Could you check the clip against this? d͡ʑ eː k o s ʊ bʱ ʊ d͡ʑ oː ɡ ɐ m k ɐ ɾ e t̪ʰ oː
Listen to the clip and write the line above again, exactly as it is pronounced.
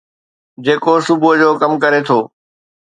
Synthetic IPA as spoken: d͡ʑ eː k o s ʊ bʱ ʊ d͡ʑ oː k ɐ m k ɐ ɾ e t̪ʰ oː

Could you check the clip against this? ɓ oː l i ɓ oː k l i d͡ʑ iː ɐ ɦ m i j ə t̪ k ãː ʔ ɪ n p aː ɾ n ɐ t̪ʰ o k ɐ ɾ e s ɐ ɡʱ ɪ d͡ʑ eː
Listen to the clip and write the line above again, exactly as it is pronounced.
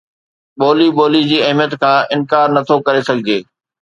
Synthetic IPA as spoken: ɓ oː l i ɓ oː l i d͡ʑ iː ɐ ɦ m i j ə t̪ kʰ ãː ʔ ɪ n k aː ɾ n ɐ t̪ʰ o k ɐ ɾ e s ɐ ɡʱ ɪ d͡ʑ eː

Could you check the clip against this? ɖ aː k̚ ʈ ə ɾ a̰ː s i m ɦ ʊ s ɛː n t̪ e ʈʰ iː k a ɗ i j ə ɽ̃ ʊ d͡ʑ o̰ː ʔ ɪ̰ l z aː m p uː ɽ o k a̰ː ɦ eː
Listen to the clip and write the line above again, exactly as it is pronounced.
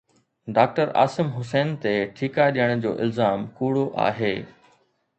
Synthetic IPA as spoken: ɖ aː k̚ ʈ ə ɾ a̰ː s ɪ m ɦ ʊ s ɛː n t̪ e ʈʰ iː k a ɗ i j ə ɽ̃ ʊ d͡ʑ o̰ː ʔ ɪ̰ l z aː m k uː ɽ o ʔ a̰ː ɦ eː

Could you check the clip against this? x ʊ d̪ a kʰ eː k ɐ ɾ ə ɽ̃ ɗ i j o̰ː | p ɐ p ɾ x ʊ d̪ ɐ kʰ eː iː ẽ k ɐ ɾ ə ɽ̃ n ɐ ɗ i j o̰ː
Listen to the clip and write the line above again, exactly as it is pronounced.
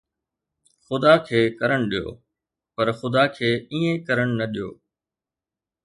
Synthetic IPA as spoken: x ʊ d̪ a kʰ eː k ɐ ɾ ə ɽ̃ ɗ i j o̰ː | p ɐ ɾ x ʊ d̪ a kʰ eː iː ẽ k ɐ ɾ ə ɽ̃ n ɐ ɗ i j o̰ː

